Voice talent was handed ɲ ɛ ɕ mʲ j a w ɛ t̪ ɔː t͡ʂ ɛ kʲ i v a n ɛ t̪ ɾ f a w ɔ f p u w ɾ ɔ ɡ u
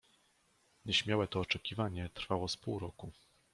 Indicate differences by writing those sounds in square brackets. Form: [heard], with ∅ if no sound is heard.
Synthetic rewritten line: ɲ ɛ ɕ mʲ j a w ɛ t̪ ɔː t͡ʂ ɛ kʲ i v a [ɲ] ɛ t̪ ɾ f a w ɔ [s] p u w ɾ ɔ [k] u